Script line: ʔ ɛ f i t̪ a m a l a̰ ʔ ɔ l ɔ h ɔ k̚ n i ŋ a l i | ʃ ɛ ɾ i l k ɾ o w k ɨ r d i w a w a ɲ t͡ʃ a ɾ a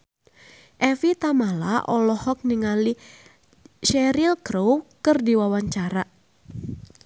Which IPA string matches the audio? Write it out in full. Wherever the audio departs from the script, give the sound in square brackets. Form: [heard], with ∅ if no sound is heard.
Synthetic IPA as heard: ʔ ɛ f i t̪ a m a l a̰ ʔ ɔ l ɔ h ɔ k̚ n i ŋ a l i | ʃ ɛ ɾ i l k ɾ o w k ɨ r d i w a w a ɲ t͡ʃ a ɾ a